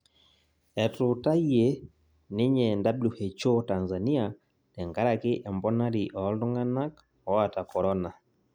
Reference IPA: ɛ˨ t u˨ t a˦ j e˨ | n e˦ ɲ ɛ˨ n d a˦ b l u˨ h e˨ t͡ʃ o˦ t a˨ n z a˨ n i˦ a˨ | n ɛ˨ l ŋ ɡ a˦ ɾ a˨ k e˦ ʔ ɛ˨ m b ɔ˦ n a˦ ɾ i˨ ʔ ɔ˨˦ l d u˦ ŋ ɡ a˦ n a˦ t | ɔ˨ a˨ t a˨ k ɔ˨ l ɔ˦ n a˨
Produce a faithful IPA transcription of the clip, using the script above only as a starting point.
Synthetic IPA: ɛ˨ t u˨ t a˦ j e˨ | n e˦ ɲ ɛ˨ n d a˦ b l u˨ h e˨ t͡ʃ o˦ t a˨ n z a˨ n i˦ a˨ | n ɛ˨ ŋ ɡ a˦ ɾ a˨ k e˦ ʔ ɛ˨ m b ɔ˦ n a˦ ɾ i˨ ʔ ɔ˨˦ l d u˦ ŋ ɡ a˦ n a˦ k | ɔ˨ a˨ t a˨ k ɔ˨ ɾ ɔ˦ n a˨